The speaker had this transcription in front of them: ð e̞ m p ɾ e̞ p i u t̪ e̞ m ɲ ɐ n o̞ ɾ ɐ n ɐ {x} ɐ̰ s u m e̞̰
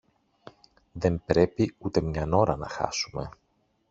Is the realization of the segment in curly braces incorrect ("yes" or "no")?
no